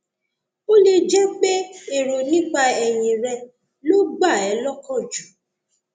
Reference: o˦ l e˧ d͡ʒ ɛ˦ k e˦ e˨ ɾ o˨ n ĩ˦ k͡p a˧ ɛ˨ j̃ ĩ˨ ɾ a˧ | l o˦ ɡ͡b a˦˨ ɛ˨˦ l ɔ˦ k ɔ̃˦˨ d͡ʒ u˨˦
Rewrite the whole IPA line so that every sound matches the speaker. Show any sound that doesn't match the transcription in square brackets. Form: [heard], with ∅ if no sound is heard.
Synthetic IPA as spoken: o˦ l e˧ d͡ʒ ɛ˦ [k͡p] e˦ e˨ ɾ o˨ n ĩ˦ k͡p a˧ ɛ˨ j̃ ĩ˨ ɾ [ɛ˧] | l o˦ ɡ͡b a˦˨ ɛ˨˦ l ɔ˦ k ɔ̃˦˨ d͡ʒ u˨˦